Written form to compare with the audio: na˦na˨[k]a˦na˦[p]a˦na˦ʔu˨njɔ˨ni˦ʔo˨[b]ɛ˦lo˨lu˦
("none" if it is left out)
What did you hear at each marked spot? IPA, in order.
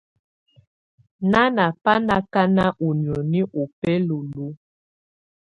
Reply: p, k, p

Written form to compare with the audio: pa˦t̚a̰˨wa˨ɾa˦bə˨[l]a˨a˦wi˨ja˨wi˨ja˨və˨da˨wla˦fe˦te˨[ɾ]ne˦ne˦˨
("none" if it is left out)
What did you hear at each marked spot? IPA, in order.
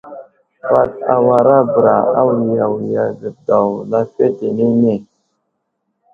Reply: ɾ, none

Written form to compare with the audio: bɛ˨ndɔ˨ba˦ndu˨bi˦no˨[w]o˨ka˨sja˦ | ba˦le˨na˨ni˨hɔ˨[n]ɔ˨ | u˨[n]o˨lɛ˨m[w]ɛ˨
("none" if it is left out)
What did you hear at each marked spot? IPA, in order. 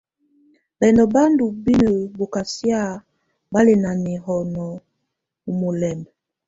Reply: b, n, m, b

